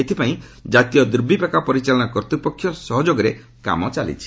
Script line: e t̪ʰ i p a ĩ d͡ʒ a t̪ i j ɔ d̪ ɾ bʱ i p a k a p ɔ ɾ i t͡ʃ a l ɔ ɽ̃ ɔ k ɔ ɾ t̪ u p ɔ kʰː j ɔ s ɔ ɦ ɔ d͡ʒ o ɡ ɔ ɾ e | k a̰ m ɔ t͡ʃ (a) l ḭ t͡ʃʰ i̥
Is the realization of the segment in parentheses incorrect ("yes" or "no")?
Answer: no